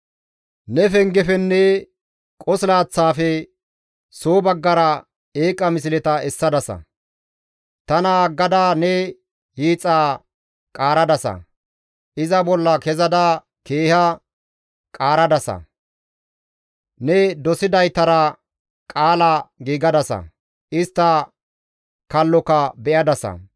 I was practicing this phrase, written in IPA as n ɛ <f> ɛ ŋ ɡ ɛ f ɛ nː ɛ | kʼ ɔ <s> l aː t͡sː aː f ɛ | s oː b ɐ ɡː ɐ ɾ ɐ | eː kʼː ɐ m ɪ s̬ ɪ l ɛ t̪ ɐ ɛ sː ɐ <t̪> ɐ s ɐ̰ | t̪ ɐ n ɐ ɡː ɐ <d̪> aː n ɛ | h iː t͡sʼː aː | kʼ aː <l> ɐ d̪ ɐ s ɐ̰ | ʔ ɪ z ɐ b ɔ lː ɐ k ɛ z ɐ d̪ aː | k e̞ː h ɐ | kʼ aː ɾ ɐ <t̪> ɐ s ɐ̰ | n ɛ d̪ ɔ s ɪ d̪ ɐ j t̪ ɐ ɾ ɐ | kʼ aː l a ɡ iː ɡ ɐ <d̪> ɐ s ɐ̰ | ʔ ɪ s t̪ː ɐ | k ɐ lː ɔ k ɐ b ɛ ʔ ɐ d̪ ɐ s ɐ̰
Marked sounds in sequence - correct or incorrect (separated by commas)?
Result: correct, correct, incorrect, correct, incorrect, incorrect, correct